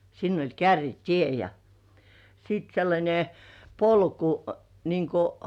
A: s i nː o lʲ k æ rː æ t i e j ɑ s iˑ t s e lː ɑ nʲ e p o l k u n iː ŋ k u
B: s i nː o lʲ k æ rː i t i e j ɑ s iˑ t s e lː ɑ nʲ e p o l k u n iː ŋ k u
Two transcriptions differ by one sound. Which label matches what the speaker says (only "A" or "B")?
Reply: B